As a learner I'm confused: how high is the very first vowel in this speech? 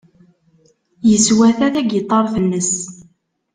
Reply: mid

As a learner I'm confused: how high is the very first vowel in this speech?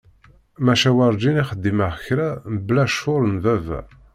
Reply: low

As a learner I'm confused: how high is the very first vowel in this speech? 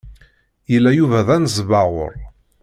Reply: mid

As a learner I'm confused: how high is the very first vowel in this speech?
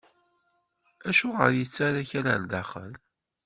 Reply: low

